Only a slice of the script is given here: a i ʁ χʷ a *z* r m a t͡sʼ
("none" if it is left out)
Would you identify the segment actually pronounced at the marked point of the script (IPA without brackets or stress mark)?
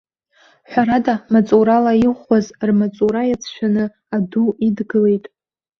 z